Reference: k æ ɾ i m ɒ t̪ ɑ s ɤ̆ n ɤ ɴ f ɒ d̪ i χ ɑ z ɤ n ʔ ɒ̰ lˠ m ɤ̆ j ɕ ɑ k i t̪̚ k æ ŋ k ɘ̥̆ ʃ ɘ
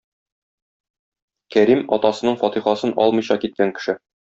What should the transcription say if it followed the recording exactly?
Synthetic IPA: k æ ɾ i m ɒ t̪ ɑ s ɤ̆ n ɤ ɴ f ɒ t̪ i χ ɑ s ɤ n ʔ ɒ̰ lˠ m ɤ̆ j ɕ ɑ k i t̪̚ k æ ŋ k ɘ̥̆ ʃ ɘ